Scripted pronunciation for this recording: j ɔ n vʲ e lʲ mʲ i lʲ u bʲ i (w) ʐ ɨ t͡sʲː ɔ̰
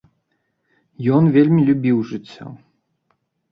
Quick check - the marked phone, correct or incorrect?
correct